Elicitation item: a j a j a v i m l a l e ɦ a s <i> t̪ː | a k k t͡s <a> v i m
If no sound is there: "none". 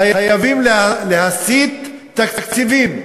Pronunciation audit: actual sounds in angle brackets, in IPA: i, i

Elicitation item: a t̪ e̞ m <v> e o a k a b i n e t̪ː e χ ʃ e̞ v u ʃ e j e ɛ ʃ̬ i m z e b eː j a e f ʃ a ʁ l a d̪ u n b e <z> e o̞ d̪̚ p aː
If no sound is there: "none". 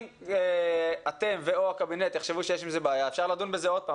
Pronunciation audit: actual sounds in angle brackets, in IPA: v, z

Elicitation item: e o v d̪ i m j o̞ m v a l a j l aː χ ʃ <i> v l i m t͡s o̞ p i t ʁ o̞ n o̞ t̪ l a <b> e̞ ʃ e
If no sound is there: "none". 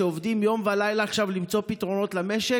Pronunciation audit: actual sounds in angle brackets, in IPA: a, m

